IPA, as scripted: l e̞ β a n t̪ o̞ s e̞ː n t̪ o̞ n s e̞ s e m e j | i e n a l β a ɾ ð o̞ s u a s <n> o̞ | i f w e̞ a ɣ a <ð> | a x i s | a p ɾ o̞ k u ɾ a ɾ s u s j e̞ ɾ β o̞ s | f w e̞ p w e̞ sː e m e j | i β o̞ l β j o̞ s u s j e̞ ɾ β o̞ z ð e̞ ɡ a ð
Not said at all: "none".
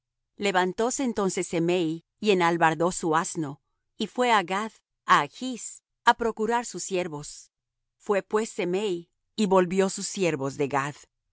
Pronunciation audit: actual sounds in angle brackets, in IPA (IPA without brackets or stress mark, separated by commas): n, ð